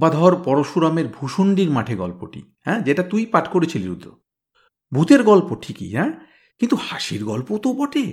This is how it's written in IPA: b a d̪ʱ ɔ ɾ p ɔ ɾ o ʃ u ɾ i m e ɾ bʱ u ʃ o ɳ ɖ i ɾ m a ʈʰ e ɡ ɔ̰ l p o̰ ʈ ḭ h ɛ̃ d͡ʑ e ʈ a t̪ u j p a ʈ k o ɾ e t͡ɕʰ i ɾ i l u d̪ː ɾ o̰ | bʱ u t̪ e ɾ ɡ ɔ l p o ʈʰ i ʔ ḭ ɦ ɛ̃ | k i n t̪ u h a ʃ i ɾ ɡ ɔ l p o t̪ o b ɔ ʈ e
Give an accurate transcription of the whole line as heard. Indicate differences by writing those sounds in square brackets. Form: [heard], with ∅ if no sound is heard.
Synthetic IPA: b a d̪ʱ ɔ ɾ p ɔ ɾ o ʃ u ɾ [a] m e ɾ bʱ u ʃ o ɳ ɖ i ɾ m a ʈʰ e ɡ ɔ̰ l p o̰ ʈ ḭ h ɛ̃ d͡ʑ e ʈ a t̪ u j p a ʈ k o ɾ e t͡ɕʰ i [l] i [ɾ] u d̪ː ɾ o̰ | bʱ u t̪ e ɾ ɡ ɔ l p o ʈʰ i [k] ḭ ɦ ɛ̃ | k i n t̪ u h a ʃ i ɾ ɡ ɔ l p o t̪ o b ɔ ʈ e